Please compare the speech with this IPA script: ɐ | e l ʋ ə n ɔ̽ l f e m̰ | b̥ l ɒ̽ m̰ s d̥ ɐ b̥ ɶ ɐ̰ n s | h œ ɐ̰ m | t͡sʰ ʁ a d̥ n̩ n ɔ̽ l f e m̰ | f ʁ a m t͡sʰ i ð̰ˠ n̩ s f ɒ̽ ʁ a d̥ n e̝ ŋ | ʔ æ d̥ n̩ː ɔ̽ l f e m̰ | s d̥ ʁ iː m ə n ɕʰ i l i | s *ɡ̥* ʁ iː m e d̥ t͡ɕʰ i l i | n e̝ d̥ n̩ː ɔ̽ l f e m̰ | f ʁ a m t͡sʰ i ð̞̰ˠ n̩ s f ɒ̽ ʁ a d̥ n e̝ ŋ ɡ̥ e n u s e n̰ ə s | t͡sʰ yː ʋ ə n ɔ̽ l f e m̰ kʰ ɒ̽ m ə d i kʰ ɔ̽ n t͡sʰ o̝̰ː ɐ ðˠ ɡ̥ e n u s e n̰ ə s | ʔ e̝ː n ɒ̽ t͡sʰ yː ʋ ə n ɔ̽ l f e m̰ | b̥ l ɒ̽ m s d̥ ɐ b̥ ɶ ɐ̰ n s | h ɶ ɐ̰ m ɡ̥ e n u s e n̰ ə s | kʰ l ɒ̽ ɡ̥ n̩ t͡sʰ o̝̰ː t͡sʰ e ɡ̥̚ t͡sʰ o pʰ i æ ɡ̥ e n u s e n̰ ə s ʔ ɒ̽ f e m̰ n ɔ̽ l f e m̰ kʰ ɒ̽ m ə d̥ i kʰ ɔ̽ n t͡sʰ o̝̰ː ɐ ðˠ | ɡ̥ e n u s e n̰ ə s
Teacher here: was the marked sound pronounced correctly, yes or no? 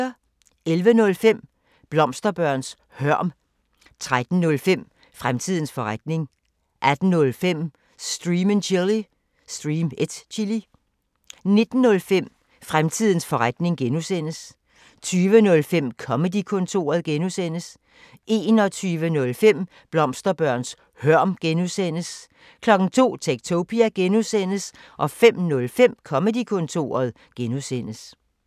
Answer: no